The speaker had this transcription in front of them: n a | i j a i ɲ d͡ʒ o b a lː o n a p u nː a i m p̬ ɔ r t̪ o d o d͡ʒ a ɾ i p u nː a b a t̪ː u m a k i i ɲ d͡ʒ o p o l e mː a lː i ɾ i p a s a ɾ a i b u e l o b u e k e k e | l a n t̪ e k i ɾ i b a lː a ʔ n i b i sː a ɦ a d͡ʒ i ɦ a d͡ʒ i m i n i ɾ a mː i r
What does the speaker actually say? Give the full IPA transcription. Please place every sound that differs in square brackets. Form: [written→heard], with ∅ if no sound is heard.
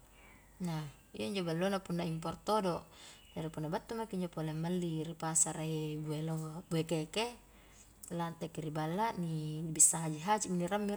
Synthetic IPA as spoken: n a | i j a i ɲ d͡ʒ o b a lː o n a p u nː a i m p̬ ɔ r t̪ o d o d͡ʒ a ɾ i p u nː a b a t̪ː u m a k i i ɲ d͡ʒ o p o l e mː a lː i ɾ i p a s a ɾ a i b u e l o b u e k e k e | l a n t̪ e k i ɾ i b a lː a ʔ n i b i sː a ɦ a d͡ʒ i ɦ a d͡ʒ i m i n i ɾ a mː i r